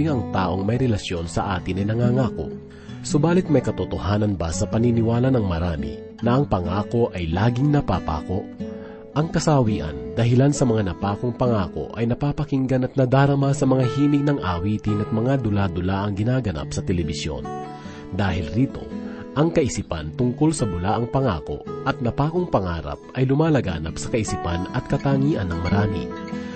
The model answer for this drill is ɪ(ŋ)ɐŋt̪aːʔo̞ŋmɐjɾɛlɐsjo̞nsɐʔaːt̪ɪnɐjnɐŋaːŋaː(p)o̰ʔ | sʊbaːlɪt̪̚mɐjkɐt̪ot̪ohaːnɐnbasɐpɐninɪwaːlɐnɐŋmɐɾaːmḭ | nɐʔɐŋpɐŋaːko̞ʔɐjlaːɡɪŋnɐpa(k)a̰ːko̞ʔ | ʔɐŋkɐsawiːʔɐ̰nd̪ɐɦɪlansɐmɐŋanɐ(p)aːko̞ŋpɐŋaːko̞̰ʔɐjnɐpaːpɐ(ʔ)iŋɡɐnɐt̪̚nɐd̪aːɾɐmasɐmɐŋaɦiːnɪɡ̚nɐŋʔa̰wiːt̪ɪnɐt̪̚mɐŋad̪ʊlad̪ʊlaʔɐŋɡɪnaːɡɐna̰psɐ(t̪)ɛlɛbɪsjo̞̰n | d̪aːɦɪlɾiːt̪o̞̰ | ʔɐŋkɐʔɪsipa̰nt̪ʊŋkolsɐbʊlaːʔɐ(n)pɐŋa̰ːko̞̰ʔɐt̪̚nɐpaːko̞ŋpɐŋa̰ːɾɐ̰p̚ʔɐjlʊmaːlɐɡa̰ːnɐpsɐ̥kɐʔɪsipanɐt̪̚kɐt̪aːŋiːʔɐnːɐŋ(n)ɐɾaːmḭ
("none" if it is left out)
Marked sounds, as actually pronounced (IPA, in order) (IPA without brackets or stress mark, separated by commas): ŋ, k, p, p, k, t̪, ŋ, m